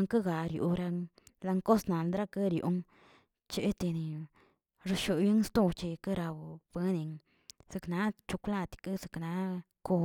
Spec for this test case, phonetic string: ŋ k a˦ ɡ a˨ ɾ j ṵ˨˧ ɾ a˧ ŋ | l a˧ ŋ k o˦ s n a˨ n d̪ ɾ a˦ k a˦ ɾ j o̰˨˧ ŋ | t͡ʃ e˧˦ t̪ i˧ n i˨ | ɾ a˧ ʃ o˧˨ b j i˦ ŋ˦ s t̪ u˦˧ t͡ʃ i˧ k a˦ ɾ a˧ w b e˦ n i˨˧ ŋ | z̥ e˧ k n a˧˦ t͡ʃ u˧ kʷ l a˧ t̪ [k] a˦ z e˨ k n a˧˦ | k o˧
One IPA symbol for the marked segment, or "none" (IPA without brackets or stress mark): k